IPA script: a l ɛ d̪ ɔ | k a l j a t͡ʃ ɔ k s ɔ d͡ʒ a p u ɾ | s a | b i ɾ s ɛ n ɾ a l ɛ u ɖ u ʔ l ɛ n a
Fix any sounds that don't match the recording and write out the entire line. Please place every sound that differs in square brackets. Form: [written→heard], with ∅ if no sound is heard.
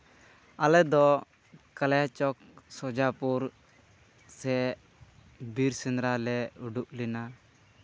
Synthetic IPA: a l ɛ d̪ ɔ | k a l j a t͡ʃ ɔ k s ɔ d͡ʒ a p u ɾ | s [a→ɛ] | b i ɾ s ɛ n ɾ a l ɛ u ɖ u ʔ l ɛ n a